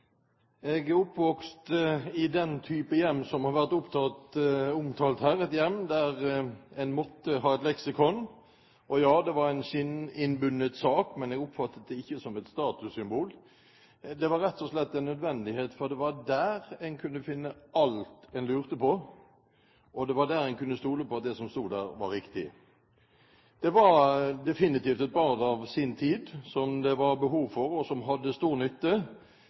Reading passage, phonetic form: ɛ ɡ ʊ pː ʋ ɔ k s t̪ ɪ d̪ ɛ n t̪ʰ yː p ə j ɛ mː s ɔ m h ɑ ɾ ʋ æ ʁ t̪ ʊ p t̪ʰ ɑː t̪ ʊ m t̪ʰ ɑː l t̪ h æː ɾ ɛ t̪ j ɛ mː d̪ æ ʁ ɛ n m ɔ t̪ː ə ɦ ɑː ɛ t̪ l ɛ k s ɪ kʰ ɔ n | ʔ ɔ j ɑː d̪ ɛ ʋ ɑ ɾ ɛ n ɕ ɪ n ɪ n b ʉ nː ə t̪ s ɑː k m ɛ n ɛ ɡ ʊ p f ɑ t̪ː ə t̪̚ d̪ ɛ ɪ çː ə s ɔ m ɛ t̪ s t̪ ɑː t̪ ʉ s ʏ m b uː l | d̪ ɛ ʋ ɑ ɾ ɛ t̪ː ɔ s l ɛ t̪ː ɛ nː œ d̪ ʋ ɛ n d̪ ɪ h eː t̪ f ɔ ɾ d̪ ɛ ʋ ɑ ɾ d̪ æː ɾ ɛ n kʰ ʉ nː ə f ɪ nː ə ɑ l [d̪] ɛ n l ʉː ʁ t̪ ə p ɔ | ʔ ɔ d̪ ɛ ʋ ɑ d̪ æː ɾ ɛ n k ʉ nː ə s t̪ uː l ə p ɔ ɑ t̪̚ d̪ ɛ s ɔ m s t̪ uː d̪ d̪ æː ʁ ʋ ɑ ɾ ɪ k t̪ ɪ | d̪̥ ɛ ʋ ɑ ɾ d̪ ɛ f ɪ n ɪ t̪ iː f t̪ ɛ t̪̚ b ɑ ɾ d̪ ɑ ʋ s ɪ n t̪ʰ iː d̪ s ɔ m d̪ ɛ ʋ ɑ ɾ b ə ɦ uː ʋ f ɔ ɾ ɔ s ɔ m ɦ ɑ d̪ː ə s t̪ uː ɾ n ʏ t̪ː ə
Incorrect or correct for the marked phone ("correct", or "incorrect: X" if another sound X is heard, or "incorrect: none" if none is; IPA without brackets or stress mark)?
incorrect: t̪